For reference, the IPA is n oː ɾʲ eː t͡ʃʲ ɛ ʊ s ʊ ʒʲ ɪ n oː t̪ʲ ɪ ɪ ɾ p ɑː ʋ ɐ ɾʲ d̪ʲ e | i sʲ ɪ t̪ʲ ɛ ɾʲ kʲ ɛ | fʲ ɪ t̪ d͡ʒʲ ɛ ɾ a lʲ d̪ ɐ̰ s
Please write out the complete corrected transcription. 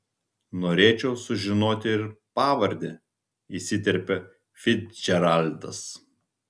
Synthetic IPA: n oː ɾʲ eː t͡ʃʲ ɛ ʊ s ʊ ʒʲ ɪ n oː t̪ʲ ɪ ɪ ɾ p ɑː ʋ ɐ ɾʲ d̪ʲ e | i sʲ ɪ t̪ʲ ɛ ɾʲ pʲ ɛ | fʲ ɪ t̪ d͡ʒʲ ɛ ɾ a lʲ d̪ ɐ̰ s